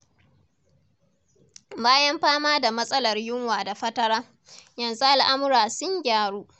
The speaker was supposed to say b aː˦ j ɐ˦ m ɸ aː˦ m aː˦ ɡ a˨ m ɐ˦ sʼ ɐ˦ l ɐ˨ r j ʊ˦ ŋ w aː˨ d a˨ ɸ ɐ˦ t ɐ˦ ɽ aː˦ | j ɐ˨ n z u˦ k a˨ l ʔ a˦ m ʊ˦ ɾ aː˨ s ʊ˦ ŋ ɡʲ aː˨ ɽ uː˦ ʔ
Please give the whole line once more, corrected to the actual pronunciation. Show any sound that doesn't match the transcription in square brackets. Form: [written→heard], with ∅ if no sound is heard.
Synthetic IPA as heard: b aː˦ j ɐ˦ m ɸ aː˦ m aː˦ [ɡ→d] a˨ m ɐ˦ sʼ ɐ˦ l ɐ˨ r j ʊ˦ ŋ w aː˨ d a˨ ɸ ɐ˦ t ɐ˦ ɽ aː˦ | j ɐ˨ n z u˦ [k→ʔ] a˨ l ʔ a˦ m ʊ˦ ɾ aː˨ s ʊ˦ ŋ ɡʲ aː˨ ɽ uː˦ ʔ